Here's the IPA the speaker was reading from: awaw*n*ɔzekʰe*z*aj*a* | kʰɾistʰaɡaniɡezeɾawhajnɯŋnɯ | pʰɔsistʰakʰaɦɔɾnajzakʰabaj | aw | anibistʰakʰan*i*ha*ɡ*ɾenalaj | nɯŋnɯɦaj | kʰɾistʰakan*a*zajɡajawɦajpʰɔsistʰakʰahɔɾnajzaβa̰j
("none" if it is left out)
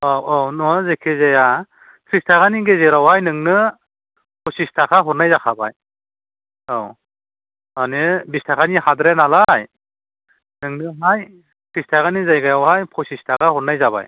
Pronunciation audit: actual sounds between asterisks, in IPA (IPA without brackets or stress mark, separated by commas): n, z, a, i, d, i